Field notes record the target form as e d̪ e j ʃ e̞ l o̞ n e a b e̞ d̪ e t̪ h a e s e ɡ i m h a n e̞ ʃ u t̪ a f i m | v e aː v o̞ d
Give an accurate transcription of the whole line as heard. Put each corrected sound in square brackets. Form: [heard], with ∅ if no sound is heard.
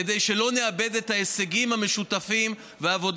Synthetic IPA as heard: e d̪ e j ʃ e̞ l o̞ n e a b e̞ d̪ e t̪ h a e s e ɡ i m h a [m] e̞ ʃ u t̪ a f i m | v e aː v o̞ d

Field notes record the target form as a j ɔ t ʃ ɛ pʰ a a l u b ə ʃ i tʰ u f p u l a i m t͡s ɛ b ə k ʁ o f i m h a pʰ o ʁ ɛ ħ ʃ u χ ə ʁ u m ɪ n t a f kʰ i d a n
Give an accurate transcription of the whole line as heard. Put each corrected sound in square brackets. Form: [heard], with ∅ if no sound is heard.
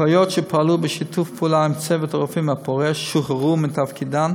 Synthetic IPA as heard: a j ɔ t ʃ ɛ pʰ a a l u b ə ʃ i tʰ u f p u l a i m t͡s ɛ [v] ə [t] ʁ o f i m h a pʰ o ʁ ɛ [ʃ] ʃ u χ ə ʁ u m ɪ n t a f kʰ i d a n

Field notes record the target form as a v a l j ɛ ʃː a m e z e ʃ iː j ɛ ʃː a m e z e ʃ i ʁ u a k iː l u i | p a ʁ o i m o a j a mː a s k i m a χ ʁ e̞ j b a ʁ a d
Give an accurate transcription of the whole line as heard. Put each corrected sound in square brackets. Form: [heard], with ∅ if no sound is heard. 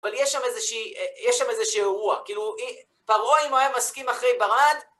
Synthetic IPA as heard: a v a l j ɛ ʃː a m e z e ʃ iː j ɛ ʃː a m e z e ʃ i ʁ u a k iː l u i | p a ʁ o i m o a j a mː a s k i m a χ ʁ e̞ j b a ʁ a d

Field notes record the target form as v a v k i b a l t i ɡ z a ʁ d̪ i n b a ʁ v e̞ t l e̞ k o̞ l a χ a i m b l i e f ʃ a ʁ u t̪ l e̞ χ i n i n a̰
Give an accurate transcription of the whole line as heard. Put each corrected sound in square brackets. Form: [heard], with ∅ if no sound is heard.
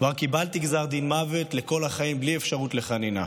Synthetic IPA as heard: v a [ʁ] k i b a l t i ɡ z a ʁ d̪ i n [m] a [∅] v e̞ t l e̞ k o̞ l a χ a i m b l i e f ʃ a ʁ u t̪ l e̞ χ [a] n i n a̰

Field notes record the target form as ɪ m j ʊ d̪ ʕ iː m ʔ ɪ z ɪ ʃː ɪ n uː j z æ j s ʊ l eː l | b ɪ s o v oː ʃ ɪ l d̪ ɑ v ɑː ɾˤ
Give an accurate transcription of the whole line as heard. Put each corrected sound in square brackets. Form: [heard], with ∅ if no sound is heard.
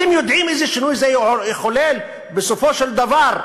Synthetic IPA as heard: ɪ m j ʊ d̪ ʕ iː m ʔ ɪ z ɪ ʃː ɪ n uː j z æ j [x] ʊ l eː l | b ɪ s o [f] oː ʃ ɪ l d̪ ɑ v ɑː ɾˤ

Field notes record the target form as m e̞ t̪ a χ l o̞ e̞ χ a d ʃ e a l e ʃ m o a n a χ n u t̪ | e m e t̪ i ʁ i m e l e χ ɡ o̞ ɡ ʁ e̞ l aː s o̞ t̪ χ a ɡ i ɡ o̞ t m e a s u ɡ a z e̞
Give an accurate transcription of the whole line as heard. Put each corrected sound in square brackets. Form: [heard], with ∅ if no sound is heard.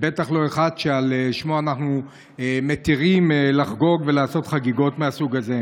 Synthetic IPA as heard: [b] e̞ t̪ a χ l o̞ e̞ χ a d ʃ e a l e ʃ m o a n a χ n u [∅] | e m e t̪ i ʁ i m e l [a] χ ɡ o̞ ɡ [v] e̞ l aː s o̞ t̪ χ a ɡ i ɡ o̞ t m e a s u ɡ a z e̞

